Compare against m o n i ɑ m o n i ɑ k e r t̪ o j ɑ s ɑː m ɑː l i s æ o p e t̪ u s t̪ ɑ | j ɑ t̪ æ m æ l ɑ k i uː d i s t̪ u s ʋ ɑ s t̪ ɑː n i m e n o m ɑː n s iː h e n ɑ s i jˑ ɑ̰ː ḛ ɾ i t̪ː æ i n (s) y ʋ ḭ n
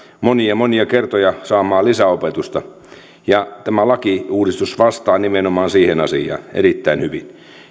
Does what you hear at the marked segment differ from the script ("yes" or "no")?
yes